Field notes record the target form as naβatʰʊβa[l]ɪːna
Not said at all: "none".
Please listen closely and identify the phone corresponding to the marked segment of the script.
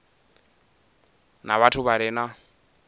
ɾ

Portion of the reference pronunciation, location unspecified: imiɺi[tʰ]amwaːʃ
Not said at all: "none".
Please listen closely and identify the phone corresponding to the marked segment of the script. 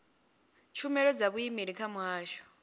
kʰ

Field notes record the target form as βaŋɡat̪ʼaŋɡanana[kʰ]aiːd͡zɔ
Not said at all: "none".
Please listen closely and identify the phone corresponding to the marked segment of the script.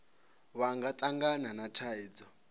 tʰ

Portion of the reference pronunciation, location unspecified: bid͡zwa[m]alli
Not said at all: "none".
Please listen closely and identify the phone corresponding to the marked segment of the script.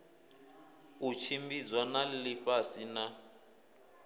n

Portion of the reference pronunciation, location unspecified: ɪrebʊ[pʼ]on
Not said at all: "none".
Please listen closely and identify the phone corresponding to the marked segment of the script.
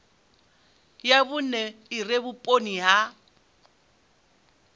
pʼ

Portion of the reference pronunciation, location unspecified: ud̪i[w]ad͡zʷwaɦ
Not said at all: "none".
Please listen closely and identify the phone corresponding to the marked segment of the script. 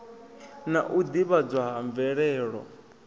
β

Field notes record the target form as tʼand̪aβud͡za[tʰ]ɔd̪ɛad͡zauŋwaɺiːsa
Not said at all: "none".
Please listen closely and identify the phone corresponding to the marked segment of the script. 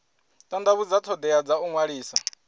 tʰ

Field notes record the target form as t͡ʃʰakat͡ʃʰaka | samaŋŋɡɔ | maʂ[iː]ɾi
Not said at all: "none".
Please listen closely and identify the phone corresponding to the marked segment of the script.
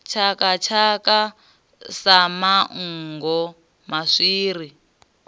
iː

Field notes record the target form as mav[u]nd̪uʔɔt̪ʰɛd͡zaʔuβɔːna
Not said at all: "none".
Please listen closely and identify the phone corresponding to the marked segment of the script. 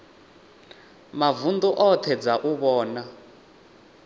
u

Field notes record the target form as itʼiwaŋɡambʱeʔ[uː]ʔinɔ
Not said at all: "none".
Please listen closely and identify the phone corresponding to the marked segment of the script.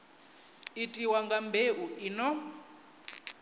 u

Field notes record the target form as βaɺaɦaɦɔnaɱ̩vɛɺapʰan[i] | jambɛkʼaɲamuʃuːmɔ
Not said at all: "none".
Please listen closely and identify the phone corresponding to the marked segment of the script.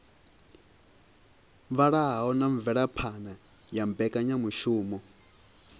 a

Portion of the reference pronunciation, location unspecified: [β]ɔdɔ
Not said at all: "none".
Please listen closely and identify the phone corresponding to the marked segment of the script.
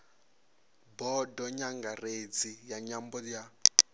b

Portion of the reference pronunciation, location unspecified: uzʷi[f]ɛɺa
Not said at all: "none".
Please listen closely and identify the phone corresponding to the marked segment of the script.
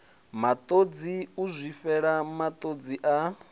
f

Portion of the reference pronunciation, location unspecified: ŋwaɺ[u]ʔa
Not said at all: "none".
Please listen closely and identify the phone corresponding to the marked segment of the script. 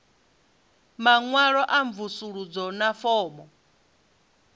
ɔ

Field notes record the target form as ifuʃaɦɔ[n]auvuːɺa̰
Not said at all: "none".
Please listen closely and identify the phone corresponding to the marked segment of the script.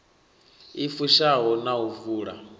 n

